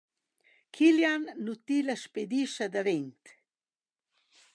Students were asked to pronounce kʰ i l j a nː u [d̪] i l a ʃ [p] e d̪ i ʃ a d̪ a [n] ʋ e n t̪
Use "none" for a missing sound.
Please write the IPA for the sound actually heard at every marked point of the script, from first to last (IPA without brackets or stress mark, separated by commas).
t̪, p, none